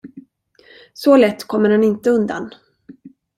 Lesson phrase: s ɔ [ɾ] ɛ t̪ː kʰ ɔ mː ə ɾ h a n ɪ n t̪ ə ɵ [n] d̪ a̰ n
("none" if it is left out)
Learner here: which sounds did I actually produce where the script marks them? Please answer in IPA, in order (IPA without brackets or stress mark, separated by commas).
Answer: l, n